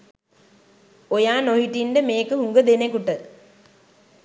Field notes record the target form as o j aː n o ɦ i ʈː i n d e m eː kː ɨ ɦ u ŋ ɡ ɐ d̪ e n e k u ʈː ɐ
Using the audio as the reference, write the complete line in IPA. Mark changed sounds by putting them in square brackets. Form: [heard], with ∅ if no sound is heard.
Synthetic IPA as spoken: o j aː n o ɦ i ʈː i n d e m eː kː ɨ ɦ u ŋ ɡ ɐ d̪ e n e k u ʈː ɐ